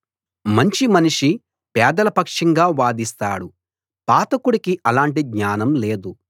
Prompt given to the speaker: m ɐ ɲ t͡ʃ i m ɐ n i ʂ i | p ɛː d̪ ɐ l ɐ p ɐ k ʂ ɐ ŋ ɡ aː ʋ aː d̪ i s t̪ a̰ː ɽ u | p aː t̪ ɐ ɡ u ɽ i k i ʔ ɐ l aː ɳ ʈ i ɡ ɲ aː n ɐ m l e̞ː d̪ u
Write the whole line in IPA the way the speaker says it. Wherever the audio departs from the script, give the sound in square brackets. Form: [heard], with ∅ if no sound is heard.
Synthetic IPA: m ɐ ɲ t͡ʃ i m ɐ n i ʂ i | p ɛː d̪ ɐ l ɐ p ɐ k ʂ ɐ ŋ ɡ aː ʋ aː d̪ i s t̪ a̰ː ɽ u | p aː t̪ ɐ [k] u ɽ i k i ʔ ɐ l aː ɳ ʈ i ɡ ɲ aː n ɐ m l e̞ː d̪ u